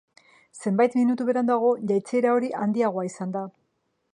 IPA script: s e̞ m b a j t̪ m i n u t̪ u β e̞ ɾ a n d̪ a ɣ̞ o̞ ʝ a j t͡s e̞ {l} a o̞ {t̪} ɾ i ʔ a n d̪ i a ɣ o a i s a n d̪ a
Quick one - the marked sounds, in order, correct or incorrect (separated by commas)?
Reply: incorrect, incorrect